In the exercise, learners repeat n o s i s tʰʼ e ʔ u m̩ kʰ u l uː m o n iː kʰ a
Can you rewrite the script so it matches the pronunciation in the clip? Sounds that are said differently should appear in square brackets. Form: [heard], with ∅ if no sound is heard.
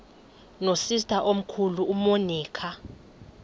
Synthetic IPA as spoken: n o s i s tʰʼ [a] ʔ [o] m̩ kʰ u l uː m o n iː kʰ a